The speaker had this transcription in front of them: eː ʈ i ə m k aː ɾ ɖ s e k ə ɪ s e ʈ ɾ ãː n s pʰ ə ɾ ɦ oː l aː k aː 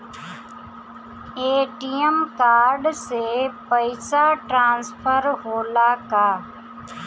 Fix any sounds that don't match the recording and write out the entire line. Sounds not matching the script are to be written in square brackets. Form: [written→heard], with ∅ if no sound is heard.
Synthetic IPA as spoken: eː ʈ i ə m k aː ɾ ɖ s e [k→p] ə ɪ s [e→a] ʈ ɾ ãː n s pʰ ə ɾ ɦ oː l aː k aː